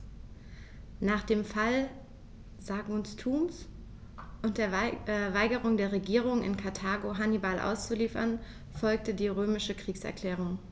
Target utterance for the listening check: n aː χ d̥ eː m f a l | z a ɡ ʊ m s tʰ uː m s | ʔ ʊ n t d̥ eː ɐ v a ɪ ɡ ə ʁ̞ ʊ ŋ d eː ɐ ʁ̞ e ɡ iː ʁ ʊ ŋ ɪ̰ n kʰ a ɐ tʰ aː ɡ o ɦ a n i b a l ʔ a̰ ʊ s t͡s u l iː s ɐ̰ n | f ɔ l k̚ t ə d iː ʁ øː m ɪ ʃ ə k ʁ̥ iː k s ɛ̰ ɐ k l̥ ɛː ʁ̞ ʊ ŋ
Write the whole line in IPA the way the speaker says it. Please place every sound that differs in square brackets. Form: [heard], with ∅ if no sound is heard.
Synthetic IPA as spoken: n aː χ d̥ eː m f a l | z a ɡ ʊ [n] s tʰ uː m s | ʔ ʊ n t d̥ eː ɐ v a ɪ ɡ ə ʁ̞ ʊ ŋ d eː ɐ ʁ̞ e ɡ iː ʁ ʊ ŋ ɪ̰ n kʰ a ɐ tʰ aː ɡ o ɦ a n i b a l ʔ a̰ ʊ s t͡s u l iː [f] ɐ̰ n | f ɔ l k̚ t ə d iː ʁ øː m ɪ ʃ ə k ʁ̥ iː k s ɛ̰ ɐ k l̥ ɛː ʁ̞ ʊ ŋ